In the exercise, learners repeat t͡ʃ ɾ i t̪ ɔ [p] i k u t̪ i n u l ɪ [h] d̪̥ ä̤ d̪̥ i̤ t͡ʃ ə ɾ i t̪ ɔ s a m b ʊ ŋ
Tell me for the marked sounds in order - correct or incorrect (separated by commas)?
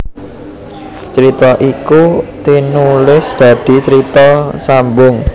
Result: incorrect, incorrect